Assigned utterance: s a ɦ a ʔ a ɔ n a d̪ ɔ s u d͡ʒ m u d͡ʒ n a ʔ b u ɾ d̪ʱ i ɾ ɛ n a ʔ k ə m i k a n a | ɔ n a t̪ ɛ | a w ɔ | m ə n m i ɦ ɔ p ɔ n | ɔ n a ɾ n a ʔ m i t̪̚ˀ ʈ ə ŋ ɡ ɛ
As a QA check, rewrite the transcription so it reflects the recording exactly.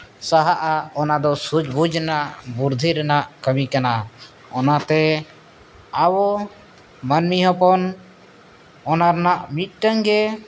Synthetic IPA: s a ɦ a ʔ a ɔ n a d̪ ɔ s u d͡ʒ b u d͡ʒ n a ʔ b u ɾ d̪ʱ i ɾ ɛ n a ʔ k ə m i k a n a | ɔ n a t̪ ɛ | a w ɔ | m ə n m i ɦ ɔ p ɔ n | ɔ n a ɾ n a ʔ m i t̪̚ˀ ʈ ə ŋ ɡ ɛ